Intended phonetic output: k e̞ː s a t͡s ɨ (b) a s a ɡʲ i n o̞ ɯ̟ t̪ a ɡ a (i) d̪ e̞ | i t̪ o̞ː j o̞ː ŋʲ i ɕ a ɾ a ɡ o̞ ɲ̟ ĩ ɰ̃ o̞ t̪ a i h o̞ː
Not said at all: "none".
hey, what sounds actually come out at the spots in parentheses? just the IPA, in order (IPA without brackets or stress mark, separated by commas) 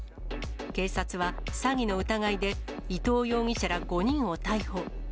β, i